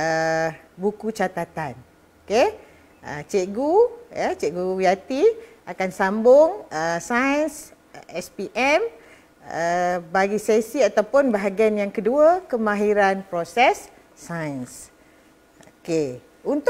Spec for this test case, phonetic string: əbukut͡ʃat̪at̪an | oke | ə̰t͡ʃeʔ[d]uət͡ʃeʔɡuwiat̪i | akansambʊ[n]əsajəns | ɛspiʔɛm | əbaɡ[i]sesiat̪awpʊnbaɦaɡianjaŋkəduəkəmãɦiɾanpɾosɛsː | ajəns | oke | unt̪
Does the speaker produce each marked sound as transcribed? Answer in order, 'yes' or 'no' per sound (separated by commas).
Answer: no, no, yes